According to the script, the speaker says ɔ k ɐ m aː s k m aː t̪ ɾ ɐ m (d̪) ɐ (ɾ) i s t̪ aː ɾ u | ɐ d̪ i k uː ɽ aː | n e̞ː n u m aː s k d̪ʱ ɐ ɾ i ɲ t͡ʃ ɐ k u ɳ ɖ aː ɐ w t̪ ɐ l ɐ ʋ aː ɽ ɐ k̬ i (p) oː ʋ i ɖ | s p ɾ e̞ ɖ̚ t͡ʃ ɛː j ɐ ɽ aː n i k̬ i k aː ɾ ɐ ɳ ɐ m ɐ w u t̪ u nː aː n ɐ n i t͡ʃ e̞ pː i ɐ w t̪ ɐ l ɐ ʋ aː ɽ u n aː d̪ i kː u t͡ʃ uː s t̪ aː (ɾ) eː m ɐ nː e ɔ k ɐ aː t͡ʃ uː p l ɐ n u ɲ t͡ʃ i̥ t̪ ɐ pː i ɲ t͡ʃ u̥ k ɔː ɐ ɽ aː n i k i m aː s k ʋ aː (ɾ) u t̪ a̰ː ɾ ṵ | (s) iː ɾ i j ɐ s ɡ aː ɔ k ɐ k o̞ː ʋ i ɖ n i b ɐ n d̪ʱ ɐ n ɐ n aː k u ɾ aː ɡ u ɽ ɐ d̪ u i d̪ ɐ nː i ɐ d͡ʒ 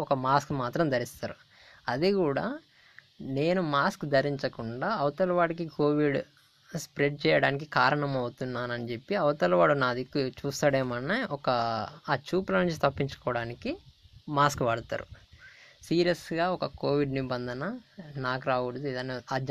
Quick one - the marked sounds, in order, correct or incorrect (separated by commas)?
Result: correct, correct, incorrect, incorrect, incorrect, correct